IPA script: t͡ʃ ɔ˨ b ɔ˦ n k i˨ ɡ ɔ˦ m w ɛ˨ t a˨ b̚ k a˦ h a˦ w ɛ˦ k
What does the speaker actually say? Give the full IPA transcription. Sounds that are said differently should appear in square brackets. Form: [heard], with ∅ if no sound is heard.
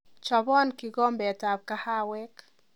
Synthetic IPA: t͡ʃ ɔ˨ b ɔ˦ n k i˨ ɡ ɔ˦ m [b] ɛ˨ t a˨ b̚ k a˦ h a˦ w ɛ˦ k